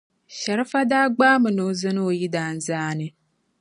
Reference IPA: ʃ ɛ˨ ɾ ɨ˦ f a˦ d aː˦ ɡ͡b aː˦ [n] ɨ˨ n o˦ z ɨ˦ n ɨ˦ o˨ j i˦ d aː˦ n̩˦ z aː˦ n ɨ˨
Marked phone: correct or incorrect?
incorrect